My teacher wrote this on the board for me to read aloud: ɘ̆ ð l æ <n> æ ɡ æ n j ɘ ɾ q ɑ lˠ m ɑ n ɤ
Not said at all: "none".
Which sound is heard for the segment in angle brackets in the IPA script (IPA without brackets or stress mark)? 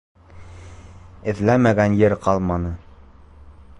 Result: m